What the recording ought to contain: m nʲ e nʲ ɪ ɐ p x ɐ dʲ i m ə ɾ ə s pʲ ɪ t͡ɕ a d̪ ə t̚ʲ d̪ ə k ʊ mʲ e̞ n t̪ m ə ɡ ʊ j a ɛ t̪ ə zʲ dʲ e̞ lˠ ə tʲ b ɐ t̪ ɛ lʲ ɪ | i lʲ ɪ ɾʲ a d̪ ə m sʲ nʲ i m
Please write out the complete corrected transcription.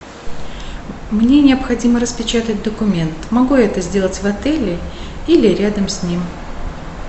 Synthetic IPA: m nʲ e nʲ ɪ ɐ p x ɐ dʲ i m ə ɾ ə s pʲ ɪ t͡ɕ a t̪ ə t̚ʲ d̪ ə k ʊ mʲ e̞ n t̪ m ɐ ɡ u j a ɛ t̪ ə zʲ dʲ e̞ lˠ ə tʲ v ɐ t̪ ɛ lʲ ɪ | i lʲ ɪ ɾʲ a d̪ ə m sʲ nʲ i m